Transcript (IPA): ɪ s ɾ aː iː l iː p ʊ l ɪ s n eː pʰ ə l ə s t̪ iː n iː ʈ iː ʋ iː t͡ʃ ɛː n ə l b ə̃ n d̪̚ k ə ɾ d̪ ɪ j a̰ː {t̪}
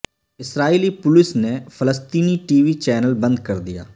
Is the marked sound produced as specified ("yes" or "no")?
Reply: no